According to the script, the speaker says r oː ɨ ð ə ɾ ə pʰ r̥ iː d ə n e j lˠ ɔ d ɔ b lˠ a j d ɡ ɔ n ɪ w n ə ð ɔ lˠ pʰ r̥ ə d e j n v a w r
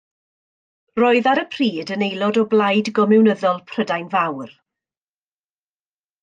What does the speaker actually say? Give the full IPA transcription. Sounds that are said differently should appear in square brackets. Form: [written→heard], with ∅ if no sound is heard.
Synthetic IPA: r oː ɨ ð [ə→a] ɾ ə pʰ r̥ iː d ə n e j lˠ ɔ d ɔ b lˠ a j d ɡ ɔ [n→m] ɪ w n ə ð ɔ lˠ pʰ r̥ ə d [e→a] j n v a w r